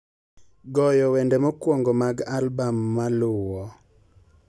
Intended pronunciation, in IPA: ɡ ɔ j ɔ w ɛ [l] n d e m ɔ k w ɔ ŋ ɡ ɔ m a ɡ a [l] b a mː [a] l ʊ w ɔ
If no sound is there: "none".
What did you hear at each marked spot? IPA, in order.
none, l, a

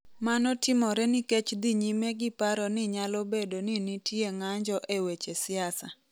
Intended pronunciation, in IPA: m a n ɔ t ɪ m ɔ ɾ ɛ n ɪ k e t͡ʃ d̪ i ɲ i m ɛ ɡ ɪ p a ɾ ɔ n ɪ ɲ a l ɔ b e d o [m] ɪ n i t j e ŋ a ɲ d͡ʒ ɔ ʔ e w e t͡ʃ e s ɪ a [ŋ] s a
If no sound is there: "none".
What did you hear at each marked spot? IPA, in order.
n, none

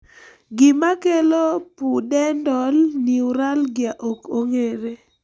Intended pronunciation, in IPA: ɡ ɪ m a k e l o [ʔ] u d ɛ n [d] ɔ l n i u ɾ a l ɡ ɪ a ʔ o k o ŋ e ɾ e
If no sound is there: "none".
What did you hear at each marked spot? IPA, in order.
p, d

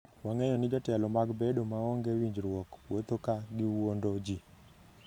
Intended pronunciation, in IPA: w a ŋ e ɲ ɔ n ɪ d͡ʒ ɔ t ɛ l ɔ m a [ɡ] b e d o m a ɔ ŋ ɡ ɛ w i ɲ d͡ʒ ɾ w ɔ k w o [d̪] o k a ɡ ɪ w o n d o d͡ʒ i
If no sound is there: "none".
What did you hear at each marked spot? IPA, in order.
ɡ, t̪

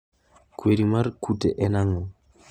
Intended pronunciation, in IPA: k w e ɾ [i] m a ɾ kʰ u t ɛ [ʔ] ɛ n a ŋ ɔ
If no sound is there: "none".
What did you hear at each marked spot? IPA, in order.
i, ʔ

